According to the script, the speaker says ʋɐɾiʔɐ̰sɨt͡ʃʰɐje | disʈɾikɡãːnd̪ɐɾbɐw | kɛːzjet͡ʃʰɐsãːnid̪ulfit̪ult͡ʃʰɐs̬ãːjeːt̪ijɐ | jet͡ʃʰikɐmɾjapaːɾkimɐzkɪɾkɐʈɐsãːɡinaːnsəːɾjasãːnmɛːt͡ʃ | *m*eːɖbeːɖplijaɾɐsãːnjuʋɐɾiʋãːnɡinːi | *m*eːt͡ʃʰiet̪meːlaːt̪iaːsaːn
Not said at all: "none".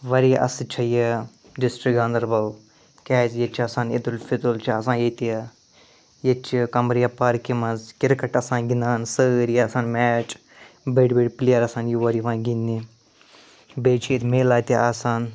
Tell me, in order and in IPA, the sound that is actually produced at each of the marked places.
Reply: b, b

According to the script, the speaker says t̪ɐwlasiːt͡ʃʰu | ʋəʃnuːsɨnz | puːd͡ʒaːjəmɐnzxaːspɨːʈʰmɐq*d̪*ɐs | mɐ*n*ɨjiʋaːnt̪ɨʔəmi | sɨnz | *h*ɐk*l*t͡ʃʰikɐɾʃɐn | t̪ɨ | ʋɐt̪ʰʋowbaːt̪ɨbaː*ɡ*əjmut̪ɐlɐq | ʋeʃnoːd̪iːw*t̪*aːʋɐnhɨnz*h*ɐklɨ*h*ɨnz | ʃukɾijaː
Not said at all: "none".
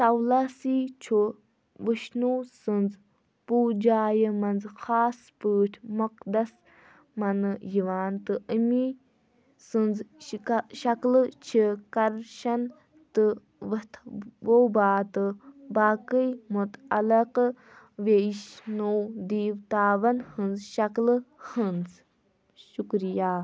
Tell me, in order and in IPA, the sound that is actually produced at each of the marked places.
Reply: d̪, n, ʃ, l, k, t̪, ʃ, h

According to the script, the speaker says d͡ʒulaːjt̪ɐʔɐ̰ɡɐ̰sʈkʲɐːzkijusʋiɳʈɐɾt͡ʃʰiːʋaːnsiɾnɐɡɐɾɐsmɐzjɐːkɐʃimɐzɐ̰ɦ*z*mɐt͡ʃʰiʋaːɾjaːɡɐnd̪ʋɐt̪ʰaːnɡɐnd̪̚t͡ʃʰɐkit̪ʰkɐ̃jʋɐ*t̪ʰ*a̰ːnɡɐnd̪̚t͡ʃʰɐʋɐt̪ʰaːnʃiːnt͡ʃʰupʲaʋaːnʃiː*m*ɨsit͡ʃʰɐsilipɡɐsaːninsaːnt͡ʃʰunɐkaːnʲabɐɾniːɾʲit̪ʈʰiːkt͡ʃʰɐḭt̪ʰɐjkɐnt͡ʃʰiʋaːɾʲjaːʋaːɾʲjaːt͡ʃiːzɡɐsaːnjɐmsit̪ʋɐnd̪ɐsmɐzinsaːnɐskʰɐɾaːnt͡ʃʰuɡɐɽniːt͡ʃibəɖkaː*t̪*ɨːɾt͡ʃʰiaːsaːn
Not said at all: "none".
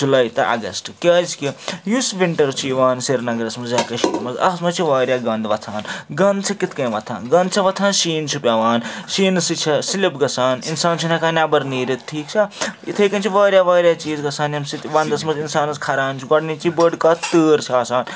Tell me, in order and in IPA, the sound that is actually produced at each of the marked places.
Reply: s, t̪ʰ, n, t̪

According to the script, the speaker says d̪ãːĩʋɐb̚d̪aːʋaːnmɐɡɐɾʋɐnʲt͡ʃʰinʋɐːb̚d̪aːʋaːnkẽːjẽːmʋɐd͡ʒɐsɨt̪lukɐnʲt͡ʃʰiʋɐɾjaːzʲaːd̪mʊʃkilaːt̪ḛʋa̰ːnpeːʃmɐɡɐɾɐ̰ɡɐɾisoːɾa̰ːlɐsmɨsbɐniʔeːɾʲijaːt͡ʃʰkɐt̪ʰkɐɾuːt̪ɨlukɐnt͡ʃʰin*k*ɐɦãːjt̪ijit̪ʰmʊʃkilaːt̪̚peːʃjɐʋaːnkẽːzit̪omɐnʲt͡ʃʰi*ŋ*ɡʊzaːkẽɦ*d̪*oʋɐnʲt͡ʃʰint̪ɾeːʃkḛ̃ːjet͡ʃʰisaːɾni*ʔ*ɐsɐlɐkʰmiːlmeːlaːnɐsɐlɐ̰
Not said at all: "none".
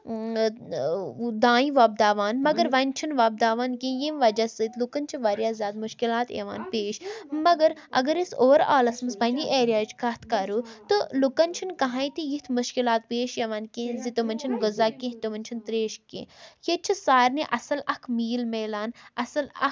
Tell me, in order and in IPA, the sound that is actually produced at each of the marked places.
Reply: k, n, t̪, ʔ

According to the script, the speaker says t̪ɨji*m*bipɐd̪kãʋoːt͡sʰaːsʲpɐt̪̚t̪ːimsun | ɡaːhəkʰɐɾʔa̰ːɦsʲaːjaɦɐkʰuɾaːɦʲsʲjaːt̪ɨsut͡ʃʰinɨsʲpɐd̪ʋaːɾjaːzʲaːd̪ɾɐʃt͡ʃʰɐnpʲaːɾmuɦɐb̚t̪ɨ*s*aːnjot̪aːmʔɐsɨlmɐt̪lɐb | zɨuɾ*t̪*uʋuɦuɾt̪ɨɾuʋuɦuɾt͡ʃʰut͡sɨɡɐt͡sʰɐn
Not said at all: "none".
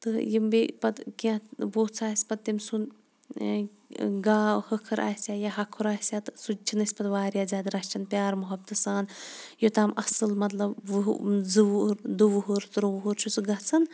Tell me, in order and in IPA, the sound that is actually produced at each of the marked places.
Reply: m, s, d̪

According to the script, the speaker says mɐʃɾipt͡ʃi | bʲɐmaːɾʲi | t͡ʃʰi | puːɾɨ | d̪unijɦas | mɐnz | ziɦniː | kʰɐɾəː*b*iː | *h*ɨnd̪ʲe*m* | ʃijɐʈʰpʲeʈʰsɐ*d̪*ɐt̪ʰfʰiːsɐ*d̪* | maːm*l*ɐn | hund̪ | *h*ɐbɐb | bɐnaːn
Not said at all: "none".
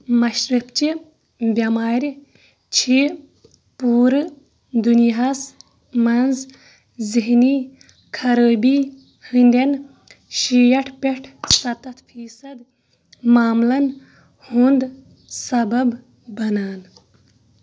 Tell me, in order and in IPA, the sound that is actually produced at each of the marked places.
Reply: b, h, n, t̪, d̪, l, s

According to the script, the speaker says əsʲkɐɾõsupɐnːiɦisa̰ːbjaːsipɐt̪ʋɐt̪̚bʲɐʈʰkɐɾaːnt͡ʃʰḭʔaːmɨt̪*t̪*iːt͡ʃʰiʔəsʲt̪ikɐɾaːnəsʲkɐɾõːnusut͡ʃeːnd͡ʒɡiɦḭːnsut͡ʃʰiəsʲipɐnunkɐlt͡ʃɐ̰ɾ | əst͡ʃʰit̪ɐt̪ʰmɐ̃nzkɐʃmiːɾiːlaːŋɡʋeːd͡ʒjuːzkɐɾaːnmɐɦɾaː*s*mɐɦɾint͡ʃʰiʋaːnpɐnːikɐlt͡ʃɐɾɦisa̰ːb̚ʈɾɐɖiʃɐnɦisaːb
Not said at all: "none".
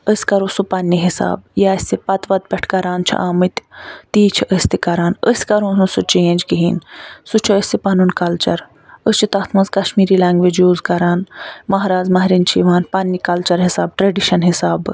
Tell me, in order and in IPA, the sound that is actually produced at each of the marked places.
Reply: t̪, z

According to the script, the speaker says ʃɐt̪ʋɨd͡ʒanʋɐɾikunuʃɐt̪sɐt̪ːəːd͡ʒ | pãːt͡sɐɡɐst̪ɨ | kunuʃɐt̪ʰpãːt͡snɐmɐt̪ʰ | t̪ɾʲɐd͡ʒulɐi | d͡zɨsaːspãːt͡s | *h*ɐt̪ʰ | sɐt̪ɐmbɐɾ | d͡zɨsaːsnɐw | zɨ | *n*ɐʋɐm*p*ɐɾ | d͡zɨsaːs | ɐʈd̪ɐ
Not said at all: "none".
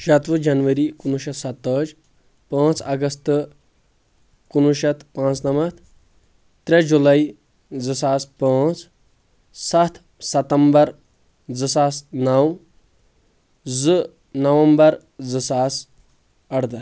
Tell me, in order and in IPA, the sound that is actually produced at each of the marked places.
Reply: s, n, b

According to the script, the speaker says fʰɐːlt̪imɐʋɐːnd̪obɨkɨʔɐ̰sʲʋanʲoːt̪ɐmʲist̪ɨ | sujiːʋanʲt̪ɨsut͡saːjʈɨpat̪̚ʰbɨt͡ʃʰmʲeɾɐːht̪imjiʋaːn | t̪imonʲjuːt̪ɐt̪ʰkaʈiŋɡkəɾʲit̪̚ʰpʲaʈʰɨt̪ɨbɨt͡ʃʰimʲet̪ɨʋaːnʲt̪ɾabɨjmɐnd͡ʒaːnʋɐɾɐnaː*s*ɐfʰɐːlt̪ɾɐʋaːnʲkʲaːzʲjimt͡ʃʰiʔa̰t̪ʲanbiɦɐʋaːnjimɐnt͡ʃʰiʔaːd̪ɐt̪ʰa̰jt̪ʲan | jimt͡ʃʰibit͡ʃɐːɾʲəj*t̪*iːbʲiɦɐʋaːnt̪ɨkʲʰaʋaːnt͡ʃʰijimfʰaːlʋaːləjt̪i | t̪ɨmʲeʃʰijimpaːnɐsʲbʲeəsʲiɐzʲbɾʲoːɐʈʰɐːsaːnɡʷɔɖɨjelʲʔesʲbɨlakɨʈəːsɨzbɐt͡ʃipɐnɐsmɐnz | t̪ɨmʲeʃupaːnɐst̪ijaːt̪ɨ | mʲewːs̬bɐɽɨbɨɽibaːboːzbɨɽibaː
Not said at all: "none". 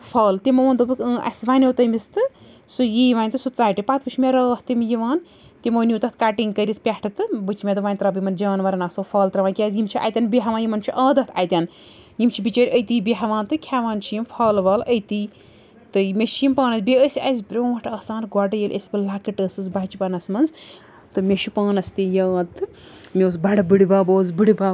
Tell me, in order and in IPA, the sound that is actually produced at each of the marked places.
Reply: s, t̪

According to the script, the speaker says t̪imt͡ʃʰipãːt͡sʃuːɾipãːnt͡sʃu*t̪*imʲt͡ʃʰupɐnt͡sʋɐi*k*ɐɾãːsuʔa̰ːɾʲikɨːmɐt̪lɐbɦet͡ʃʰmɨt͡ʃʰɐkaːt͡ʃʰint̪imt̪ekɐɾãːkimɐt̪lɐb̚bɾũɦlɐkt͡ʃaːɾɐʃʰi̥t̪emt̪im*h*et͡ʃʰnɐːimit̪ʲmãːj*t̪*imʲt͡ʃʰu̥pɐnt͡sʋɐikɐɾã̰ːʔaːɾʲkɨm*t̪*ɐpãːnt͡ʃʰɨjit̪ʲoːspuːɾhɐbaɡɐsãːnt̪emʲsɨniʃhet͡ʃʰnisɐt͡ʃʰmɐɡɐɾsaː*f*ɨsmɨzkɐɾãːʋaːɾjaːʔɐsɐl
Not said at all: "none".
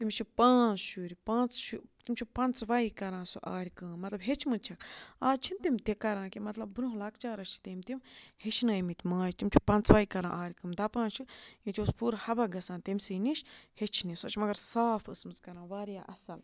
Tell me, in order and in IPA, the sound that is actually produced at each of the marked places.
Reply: t̪, k, h, t̪, d̪, f

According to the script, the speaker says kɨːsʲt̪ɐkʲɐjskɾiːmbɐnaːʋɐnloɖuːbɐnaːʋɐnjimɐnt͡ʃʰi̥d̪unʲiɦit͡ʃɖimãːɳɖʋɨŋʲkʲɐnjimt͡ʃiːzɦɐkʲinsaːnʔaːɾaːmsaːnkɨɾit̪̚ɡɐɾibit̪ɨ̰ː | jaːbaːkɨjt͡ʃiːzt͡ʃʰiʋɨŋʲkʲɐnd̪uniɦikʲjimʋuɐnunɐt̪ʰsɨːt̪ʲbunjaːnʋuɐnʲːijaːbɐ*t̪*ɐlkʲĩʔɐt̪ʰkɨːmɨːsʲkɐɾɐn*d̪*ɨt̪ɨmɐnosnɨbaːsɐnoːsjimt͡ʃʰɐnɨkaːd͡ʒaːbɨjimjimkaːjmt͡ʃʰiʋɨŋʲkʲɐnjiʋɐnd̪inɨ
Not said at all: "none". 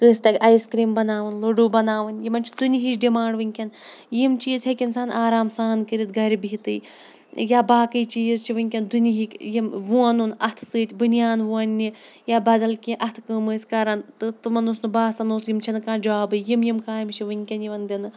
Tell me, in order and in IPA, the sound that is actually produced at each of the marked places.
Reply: d̪, t̪

